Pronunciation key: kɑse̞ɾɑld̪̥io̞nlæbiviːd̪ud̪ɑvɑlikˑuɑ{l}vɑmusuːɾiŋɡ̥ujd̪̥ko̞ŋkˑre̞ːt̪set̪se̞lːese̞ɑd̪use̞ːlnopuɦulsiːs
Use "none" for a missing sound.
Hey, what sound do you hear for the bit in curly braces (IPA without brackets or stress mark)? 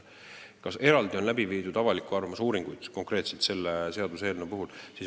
r